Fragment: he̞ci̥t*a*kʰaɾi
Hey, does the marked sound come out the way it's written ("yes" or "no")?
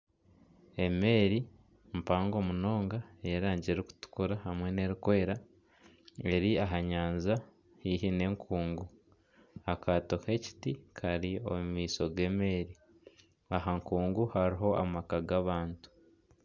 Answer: no